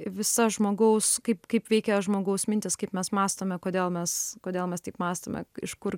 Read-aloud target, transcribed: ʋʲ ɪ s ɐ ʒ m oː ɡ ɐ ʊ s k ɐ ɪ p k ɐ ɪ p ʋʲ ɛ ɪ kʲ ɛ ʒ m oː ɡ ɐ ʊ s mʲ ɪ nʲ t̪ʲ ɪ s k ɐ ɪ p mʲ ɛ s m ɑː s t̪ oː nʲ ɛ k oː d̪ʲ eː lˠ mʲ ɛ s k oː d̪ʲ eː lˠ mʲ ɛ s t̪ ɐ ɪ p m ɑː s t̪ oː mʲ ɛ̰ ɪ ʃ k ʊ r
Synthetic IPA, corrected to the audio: ʋʲ ɪ s ɐ ʒ m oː ɡ ɐ ʊ s k ɐ ɪ p k ɐ ɪ p ʋʲ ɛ ɪ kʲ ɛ ʒ m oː ɡ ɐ ʊ s mʲ ɪ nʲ t̪ʲ ɪ s k ɐ ɪ p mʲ ɛ s m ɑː s t̪ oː mʲ ɛ k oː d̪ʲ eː lˠ mʲ ɛ s k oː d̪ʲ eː lˠ mʲ ɛ s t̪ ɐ ɪ p m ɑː s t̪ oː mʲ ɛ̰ ɪ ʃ k ʊ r